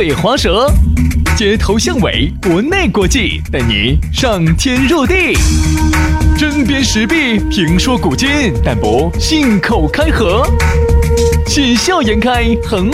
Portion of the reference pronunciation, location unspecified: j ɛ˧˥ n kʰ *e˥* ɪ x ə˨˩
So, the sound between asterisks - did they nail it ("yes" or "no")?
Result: no